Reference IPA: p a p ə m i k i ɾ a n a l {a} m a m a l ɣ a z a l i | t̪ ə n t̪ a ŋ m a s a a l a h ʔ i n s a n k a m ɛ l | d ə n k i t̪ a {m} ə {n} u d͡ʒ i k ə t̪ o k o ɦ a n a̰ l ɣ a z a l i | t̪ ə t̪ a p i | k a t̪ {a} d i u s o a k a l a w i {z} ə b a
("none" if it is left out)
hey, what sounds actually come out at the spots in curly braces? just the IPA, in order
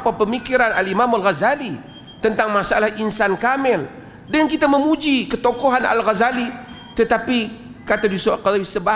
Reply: i, m, m, a, s

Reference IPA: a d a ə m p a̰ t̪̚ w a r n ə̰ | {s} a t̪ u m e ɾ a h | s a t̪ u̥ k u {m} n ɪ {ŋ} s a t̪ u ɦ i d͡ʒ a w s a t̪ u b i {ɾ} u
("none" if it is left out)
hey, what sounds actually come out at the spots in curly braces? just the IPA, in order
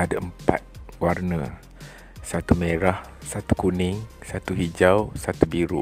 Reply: s, none, ŋ, ɾ

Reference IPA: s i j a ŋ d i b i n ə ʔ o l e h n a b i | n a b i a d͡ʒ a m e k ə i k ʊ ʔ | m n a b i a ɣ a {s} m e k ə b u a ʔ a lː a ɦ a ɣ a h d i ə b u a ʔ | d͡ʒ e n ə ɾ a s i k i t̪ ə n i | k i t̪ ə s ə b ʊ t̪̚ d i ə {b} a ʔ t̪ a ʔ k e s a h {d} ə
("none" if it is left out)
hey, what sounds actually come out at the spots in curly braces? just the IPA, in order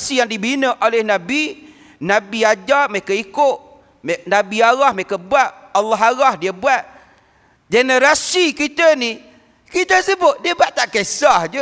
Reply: h, b, d͡ʒ

